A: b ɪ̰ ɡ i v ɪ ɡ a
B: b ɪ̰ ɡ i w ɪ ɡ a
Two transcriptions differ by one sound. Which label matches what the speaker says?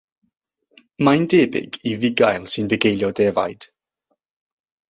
A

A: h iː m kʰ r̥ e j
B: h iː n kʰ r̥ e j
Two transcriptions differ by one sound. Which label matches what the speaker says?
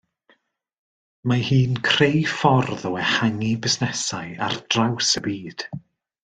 B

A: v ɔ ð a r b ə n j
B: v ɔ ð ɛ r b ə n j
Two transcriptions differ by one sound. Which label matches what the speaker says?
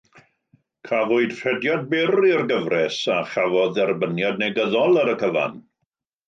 B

